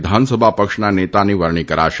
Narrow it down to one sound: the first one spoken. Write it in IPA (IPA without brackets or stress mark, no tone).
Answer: d̪ʱ